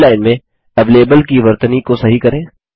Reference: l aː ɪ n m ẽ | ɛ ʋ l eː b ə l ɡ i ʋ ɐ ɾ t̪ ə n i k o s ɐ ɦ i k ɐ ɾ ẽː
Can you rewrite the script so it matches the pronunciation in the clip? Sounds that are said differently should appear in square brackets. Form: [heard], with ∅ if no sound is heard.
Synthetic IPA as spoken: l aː ɪ n m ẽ | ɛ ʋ l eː b ə l [k] i ʋ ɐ ɾ t̪ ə n i k o s ɐ ɦ i k ɐ ɾ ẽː